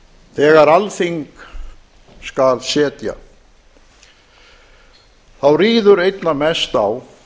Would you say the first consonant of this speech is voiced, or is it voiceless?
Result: voiceless